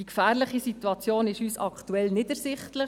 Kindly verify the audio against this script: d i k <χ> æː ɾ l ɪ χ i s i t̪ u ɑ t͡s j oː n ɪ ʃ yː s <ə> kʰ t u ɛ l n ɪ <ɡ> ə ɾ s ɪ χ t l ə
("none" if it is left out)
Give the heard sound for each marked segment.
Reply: f, ɑ, d

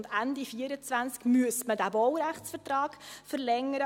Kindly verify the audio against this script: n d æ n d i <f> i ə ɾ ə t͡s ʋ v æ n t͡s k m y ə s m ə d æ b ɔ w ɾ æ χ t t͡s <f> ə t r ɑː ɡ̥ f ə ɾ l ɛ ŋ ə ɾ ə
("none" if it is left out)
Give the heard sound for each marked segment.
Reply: f, f

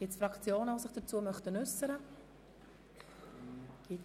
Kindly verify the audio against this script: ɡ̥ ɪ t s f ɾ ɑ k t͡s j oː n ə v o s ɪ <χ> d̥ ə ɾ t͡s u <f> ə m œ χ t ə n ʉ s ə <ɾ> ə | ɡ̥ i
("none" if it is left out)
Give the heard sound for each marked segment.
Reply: χ, none, ɾ

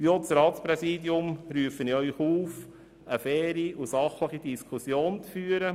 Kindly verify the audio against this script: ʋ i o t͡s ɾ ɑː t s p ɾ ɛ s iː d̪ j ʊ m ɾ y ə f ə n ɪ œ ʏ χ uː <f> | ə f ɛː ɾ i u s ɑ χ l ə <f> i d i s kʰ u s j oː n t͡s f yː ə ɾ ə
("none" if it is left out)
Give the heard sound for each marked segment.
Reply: f, χ

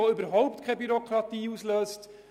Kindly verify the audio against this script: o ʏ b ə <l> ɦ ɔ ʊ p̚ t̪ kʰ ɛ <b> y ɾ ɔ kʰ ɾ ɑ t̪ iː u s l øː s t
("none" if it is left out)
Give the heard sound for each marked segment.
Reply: ɾ, b

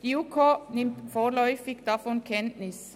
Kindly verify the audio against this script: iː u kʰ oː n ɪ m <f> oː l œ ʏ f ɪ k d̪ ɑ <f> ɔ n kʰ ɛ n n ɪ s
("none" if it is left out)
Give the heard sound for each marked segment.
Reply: f, f

